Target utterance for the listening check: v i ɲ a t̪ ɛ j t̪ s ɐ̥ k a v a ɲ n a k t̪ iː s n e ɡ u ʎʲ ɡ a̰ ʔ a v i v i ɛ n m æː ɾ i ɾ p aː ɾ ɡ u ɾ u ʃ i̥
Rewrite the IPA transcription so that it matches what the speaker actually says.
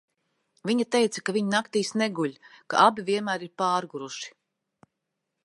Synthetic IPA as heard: v i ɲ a t̪ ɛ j t̪ s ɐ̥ k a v i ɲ n a k t̪ iː s n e ɡ u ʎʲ k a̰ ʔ a b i v i ɛ n m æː ɾ i ɾ p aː ɾ ɡ u ɾ u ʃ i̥